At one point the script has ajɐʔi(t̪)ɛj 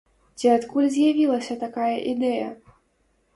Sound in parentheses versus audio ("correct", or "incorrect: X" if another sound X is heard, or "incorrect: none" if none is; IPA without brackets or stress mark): incorrect: d̪